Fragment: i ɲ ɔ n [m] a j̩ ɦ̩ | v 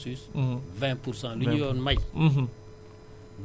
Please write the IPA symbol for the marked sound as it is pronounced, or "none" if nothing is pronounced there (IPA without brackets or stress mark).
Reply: m